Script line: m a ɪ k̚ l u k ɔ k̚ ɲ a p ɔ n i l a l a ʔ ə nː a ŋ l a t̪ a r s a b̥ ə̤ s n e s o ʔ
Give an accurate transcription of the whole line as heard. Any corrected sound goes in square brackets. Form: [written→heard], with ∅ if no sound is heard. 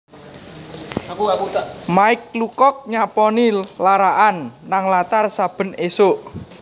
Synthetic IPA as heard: m a ɪ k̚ l u k ɔ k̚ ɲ a p ɔ n i l a [l→ɾ] a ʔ [ə→a] nː a ŋ l a t̪ a r s a b̥ ə̤ [s→∅] n e s o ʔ